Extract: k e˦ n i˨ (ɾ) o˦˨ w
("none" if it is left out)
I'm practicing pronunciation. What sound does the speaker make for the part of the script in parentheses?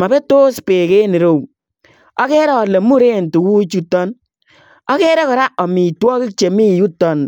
ɾ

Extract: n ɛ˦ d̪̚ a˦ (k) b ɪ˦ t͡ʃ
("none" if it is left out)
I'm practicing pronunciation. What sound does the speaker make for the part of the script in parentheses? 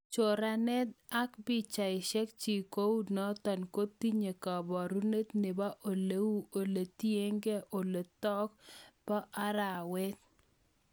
k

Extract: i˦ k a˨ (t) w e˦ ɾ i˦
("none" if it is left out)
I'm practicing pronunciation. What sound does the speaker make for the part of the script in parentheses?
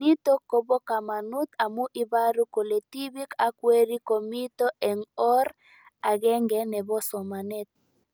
k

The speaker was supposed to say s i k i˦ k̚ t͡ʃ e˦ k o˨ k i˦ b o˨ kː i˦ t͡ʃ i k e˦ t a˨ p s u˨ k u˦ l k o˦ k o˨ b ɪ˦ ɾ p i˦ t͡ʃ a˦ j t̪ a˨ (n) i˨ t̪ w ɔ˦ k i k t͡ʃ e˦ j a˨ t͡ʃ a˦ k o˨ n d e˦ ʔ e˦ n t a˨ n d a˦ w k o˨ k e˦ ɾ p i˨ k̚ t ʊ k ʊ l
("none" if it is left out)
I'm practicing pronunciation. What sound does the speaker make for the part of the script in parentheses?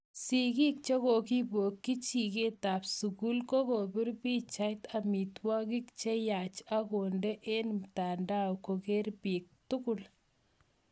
m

